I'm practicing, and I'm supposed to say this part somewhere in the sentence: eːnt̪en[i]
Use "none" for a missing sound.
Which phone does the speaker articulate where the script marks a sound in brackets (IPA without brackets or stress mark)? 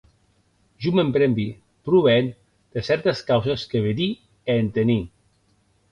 i